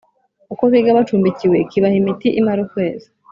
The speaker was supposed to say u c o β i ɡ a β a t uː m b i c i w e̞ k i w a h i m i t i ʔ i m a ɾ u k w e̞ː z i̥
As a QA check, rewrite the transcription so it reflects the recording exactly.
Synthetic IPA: u k o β i ɡ a β a t͡ʃ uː m b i c i w e̞ k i β a h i m i t i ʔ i m a ɾ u k w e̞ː z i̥